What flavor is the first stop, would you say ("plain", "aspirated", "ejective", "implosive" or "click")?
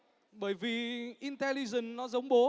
implosive